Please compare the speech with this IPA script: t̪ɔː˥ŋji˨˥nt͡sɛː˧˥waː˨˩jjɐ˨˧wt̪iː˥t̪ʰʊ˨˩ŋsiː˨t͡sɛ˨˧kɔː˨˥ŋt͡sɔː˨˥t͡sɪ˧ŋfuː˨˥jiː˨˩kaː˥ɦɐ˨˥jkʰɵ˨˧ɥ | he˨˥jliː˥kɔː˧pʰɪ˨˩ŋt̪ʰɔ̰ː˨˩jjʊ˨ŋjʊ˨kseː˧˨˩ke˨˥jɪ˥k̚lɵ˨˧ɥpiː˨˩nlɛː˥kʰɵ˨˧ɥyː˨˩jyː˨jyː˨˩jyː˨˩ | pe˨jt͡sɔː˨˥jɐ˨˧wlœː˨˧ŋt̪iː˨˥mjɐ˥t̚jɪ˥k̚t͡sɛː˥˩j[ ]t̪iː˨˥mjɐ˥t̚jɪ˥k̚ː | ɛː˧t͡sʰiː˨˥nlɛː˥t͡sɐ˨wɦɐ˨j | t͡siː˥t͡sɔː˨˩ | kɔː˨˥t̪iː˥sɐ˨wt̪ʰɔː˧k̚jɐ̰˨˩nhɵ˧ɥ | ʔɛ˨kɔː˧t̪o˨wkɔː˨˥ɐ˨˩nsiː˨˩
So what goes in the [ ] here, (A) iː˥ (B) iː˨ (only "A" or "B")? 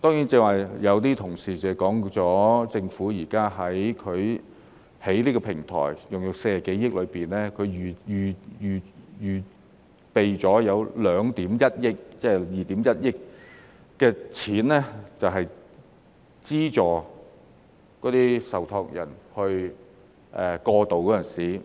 B